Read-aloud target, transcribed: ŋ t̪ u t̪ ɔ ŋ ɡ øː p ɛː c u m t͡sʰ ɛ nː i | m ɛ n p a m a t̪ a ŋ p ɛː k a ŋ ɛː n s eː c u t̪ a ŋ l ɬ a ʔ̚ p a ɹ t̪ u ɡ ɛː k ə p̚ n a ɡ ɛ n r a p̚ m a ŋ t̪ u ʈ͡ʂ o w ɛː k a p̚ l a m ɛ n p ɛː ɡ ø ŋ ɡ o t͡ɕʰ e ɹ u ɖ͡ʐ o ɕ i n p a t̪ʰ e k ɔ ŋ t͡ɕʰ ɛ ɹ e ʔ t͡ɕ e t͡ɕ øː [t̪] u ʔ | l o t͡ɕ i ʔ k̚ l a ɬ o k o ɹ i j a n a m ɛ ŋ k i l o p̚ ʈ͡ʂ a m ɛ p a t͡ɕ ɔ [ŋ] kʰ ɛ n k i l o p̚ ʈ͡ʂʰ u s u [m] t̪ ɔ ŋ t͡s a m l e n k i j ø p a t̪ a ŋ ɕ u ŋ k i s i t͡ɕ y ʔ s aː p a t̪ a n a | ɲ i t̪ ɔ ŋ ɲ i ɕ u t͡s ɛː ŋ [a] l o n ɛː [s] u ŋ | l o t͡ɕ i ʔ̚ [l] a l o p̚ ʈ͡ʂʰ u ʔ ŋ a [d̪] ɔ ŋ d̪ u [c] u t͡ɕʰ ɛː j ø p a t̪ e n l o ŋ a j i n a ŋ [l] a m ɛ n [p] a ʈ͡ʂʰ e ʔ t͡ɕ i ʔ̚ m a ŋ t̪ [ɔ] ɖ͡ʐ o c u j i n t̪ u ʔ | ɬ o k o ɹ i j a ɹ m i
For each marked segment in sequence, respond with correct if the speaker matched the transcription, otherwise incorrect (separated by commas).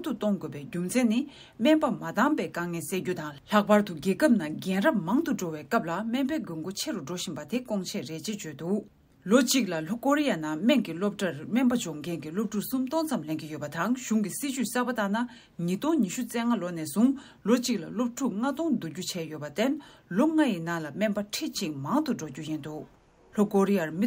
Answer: correct, correct, correct, correct, correct, correct, incorrect, correct, correct, correct, incorrect